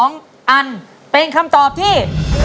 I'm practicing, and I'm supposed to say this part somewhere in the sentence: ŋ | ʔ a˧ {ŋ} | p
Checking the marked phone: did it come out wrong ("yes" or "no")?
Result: yes